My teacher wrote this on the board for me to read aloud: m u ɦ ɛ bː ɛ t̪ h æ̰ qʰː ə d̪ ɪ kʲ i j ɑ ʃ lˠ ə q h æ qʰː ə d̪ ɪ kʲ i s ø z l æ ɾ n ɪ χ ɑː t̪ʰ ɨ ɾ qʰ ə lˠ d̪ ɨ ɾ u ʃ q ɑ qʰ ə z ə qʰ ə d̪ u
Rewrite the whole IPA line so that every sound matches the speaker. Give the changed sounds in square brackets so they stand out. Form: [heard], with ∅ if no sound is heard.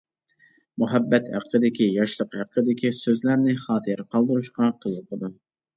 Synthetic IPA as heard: m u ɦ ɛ bː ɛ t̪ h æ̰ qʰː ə d̪ ɪ kʲ i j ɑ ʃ lˠ ə q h æ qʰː ə d̪ ɪ kʲ i s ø z l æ ɾ n ɪ χ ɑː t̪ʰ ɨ ɾ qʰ [ɑ] lˠ d̪ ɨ ɾ u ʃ q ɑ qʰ ə z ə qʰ ə d̪ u